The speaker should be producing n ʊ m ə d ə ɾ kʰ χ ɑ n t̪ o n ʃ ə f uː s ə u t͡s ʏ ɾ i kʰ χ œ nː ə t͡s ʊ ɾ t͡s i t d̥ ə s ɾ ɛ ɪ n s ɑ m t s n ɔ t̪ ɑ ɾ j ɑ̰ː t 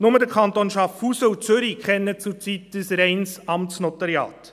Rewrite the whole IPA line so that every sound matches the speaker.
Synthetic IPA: n ʊ m ə d ə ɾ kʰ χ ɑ n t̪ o n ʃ ɑ f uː s ə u t͡s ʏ ɾ i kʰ χ ɛ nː ə t͡s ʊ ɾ t͡s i t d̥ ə s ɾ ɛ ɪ n s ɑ m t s n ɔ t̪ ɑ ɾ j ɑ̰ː t